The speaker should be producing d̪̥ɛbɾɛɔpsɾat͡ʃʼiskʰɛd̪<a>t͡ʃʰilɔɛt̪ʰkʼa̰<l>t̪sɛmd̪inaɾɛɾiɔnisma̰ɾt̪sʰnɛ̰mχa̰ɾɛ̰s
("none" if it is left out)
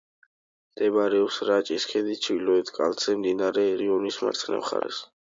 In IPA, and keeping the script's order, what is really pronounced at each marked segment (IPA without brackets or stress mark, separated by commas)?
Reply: i, l